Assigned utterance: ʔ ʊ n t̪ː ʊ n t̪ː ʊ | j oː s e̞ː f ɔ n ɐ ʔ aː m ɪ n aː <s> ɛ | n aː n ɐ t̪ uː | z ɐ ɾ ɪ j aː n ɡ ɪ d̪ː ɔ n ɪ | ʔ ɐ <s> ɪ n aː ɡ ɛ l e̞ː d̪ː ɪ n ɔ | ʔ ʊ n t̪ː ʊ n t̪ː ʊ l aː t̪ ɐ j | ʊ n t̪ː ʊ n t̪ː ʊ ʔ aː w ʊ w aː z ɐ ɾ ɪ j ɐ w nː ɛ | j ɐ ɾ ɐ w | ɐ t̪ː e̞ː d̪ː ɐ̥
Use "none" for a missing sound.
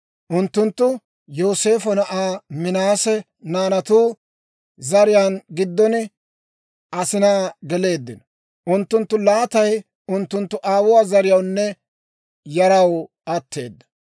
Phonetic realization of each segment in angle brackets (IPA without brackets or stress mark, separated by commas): s, s